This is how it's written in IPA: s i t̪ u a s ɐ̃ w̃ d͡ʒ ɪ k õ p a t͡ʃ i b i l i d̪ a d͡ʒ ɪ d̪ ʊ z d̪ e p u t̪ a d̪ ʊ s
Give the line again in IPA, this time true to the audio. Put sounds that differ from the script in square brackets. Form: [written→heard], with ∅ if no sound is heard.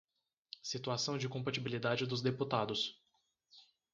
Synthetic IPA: s i t̪ u a s ɐ̃ w̃ d͡ʒ ɪ k õ p a t͡ʃ i b i l i d̪ a d͡ʒ ɪ d̪ ʊ z d̪ e p u t̪ a d̪ ʊ s